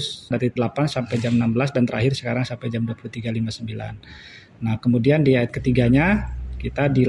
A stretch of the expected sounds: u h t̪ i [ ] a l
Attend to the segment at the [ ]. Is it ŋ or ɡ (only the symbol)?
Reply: ɡ